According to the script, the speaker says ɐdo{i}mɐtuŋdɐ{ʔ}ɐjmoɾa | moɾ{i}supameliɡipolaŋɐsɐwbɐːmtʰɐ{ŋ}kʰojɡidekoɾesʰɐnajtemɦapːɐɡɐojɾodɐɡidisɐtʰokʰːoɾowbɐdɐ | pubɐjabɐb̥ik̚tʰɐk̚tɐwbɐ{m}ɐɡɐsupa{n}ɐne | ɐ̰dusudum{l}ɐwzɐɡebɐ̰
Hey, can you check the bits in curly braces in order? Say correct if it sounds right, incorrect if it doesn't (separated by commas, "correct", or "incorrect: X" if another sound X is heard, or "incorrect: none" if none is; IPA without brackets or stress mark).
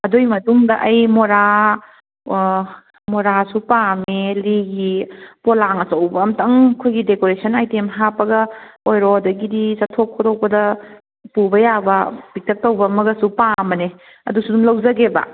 incorrect: j, correct, incorrect: a, correct, correct, incorrect: m, correct